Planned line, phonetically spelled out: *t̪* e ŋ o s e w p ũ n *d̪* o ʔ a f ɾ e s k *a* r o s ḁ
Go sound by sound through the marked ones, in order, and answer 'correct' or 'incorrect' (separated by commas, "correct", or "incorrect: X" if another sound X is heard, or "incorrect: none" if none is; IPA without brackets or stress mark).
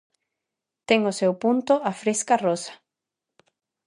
correct, incorrect: t̪, correct